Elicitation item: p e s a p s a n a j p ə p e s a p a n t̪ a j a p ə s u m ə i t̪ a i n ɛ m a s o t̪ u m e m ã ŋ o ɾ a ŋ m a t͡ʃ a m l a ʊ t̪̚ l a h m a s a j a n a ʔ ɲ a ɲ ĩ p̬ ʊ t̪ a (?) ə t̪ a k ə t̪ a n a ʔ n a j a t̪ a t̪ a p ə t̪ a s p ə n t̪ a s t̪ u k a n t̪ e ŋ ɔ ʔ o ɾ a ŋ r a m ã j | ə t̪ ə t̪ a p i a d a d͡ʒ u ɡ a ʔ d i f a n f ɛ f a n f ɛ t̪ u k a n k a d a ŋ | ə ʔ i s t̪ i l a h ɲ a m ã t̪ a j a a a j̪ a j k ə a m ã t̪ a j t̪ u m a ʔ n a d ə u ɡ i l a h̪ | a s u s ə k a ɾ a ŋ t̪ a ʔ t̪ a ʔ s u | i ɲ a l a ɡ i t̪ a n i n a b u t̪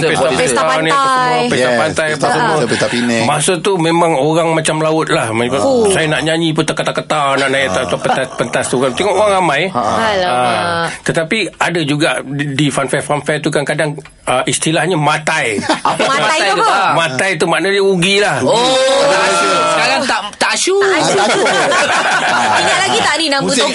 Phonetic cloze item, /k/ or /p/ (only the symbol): k